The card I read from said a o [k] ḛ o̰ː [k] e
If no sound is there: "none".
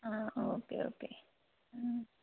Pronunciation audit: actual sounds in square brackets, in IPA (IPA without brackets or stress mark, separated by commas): k, k